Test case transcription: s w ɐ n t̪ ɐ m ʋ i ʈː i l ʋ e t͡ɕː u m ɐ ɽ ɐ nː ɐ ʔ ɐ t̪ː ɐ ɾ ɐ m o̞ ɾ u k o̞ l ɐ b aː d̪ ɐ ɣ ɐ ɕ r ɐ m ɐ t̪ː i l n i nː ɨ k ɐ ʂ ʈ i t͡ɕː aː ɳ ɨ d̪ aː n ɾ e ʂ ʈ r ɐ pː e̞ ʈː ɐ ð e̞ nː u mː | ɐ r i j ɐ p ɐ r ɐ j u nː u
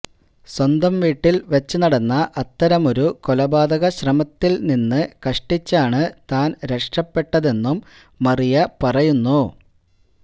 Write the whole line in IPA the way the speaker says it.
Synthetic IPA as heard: s w ɐ n d̪ ɐ m ʋ iː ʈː i l ʋ e t͡ɕː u n ɐ ɽ ɐ nː ɐ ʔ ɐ t̪ː ɐ ɾ ɐ m o̞ ɾ u k o̞ l ɐ b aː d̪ ɐ ɣ ɐ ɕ r ɐ m ɐ t̪ː i l n i nː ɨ k ɐ ʂ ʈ i t͡ɕː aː ɳ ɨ t̪ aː n ɾ e ʂ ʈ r ɐ pː e̞ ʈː ɐ ð e̞ nː u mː | ɐ r i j ɐ p ɐ r ɐ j u nː u